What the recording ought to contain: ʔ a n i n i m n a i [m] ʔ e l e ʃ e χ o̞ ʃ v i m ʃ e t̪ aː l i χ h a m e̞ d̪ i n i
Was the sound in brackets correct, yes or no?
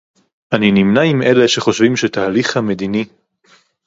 yes